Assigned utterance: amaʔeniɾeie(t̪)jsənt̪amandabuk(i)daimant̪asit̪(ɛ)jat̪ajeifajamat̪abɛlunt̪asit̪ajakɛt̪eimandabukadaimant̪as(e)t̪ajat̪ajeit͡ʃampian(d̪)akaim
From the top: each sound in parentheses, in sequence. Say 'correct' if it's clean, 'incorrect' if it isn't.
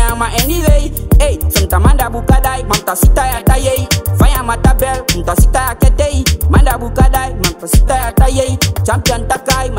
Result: incorrect: none, incorrect: a, incorrect: a, incorrect: i, incorrect: t̪

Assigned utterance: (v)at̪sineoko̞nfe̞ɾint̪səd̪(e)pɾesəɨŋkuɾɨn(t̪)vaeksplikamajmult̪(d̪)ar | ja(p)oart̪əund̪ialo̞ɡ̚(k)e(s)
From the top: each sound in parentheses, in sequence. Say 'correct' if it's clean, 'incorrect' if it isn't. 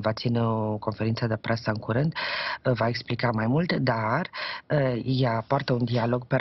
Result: correct, correct, incorrect: d̪, correct, correct, incorrect: p, incorrect: none

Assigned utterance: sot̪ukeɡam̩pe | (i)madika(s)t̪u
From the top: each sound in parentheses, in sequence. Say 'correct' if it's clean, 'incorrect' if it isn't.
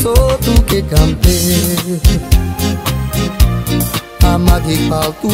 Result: incorrect: a, incorrect: none

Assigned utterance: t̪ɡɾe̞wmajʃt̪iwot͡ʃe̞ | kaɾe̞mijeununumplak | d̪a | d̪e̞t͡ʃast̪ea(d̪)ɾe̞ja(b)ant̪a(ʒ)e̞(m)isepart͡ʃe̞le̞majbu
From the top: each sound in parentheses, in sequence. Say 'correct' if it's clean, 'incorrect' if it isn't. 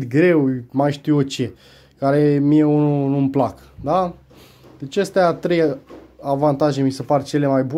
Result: incorrect: t̪, incorrect: v, correct, correct

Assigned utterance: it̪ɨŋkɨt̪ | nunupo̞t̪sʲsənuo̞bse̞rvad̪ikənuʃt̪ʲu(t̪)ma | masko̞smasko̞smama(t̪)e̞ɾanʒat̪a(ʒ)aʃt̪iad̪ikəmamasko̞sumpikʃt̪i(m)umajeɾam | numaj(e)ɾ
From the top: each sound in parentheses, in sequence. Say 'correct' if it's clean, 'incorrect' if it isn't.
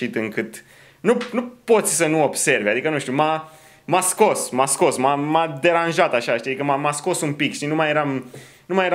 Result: incorrect: none, incorrect: d̪, incorrect: ʃ, incorrect: n, correct

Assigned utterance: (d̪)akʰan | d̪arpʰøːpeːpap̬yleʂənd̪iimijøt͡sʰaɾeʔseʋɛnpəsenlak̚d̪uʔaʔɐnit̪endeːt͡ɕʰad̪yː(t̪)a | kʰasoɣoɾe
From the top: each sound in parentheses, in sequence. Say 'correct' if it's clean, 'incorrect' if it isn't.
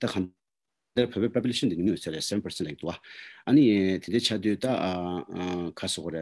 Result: incorrect: t̪, correct

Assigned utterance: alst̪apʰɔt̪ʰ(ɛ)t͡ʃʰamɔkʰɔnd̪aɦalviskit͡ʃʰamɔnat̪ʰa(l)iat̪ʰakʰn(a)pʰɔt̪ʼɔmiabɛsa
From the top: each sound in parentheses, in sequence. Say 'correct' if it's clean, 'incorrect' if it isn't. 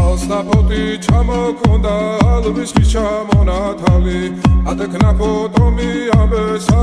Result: incorrect: i, correct, correct

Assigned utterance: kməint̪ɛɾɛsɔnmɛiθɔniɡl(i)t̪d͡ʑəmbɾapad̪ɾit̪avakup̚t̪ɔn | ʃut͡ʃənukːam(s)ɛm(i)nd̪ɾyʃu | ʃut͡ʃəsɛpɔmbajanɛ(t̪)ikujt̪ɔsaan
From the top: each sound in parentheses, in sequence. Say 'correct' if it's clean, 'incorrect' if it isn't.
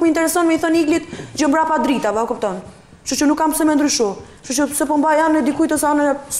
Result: correct, correct, incorrect: ɛ, incorrect: d̪

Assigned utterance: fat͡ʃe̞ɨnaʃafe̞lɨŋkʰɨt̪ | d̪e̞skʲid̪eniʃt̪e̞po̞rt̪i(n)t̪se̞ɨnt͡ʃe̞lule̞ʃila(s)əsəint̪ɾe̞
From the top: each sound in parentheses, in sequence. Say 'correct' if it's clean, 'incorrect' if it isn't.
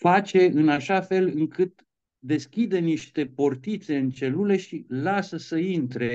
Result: incorrect: none, correct

